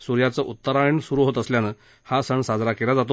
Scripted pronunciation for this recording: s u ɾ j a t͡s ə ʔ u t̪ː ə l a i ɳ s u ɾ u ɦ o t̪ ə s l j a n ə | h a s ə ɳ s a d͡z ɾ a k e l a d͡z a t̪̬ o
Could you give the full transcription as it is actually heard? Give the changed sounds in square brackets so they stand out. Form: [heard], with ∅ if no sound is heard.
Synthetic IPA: s u ɾ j a t͡s ə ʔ u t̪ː ə [ɾ] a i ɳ s u ɾ u ɦ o t̪ ə s l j a n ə | h a s ə ɳ s a d͡z ɾ a k e l a d͡z a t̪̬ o